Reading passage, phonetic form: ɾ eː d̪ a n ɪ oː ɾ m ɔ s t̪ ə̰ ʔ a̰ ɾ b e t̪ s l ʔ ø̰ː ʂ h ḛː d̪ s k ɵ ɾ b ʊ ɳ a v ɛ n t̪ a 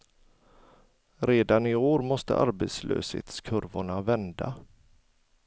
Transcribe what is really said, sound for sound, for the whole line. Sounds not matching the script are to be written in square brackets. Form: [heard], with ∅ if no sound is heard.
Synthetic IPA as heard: ɾ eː d̪ a n ɪ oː ɾ m ɔ s t̪ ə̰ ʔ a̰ ɾ b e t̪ s l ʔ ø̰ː [s] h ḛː [t̪] s [kʰ] ɵ ɾ [v] ʊ ɳ a v ɛ n [d̪] a